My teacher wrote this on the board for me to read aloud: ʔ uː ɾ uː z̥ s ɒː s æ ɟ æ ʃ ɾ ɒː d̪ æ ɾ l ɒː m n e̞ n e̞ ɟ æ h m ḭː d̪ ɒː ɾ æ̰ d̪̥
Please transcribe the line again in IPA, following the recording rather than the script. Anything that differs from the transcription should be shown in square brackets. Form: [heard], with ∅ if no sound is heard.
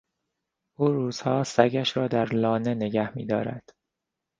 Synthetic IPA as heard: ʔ uː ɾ uː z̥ [h] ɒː s æ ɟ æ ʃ ɾ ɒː d̪ æ ɾ l ɒː [∅] n e̞ n e̞ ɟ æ h m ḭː d̪ ɒː ɾ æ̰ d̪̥